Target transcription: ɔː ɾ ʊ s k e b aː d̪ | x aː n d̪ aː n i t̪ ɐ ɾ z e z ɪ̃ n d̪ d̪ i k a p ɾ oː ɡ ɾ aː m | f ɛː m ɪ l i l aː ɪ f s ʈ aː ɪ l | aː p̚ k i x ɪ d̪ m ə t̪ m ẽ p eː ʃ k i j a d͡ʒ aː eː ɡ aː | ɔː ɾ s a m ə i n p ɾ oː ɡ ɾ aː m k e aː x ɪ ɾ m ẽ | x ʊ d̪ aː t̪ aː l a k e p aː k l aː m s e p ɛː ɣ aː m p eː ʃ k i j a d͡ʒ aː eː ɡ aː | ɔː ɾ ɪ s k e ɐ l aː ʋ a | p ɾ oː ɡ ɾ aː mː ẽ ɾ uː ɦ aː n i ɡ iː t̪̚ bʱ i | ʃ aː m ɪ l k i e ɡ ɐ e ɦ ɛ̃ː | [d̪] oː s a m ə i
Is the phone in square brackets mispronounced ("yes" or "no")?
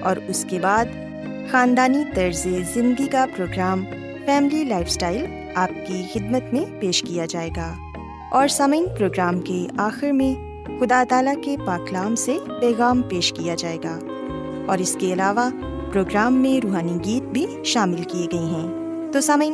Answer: yes